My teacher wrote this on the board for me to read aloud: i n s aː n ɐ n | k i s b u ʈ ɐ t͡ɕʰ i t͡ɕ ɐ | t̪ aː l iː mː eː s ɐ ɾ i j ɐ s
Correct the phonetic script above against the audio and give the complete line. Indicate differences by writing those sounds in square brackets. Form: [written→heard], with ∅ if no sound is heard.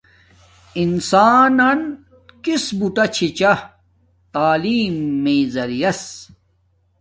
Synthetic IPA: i n s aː n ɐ n | k i s b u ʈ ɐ t͡ɕʰ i t͡ɕ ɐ | t̪ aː l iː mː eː [s→z] ɐ ɾ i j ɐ s